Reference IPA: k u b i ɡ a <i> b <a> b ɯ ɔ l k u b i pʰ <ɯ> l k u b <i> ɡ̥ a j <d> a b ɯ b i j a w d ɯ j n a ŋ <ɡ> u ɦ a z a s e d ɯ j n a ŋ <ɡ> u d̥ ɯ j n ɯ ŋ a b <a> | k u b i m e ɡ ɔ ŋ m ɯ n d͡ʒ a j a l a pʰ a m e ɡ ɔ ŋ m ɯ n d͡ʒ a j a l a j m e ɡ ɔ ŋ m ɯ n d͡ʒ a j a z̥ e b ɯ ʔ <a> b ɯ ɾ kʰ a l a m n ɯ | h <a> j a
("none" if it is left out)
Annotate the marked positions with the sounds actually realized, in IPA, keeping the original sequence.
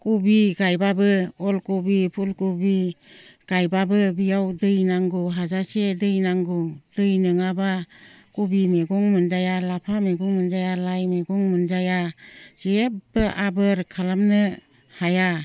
j, a, u, i, b, ɡ, ɡ, a, a, a

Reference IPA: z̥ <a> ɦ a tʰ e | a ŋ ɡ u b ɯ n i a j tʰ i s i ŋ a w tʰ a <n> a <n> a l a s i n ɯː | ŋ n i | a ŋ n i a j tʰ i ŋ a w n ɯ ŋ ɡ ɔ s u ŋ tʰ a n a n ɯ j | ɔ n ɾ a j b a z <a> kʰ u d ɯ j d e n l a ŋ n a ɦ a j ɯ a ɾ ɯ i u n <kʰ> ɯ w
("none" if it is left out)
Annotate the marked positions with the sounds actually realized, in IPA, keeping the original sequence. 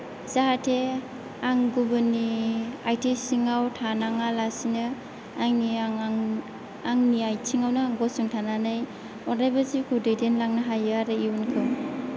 a, n, ŋ, i, kʰ

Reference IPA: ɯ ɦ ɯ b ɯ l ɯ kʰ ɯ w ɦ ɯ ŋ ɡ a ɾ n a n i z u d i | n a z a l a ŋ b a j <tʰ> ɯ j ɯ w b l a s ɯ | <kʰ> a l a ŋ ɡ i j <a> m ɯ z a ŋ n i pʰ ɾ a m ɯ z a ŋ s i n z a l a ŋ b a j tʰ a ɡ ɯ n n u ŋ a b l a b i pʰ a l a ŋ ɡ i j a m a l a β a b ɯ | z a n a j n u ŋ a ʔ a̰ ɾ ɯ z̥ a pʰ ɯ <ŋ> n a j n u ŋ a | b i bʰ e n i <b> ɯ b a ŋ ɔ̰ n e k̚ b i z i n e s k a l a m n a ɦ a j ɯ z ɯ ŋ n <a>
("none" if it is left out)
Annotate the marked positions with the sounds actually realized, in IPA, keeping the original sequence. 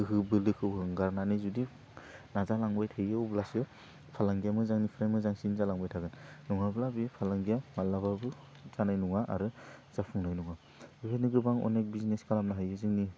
tʰ, pʰ, a, ŋ, ɡ, i

